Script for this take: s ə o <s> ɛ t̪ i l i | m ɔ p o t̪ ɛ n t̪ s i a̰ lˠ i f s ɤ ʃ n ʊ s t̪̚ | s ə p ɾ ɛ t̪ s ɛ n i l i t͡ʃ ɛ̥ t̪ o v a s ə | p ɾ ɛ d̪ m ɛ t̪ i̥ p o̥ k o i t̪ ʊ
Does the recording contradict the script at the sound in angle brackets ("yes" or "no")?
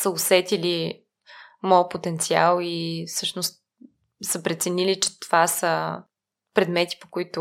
no